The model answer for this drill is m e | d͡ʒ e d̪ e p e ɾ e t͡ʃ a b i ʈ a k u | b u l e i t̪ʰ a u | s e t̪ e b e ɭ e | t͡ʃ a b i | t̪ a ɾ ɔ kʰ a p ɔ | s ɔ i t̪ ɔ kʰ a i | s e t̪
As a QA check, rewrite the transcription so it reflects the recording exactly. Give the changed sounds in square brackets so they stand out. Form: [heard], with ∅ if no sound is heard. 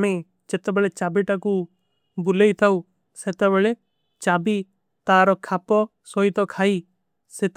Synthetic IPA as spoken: m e | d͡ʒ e [t̪] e [b] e [ɭ] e t͡ʃ a b i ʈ a k u | b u l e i t̪ʰ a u | s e t̪ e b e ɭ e | t͡ʃ a b i | t̪ a ɾ ɔ kʰ a p ɔ | s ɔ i t̪ ɔ kʰ a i | s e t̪